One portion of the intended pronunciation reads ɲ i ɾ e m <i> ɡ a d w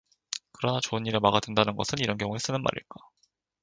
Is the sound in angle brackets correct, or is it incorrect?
incorrect